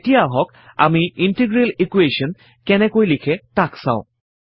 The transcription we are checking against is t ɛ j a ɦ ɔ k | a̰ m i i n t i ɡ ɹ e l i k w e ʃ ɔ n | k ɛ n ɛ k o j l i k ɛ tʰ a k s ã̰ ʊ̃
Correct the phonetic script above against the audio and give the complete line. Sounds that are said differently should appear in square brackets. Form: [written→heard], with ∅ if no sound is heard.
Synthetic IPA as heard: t [ɛ→i] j a ɦ ɔ k | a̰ m i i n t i ɡ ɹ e l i k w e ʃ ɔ n | k ɛ n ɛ k o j l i [k→kʰ] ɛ [tʰ→t] a k s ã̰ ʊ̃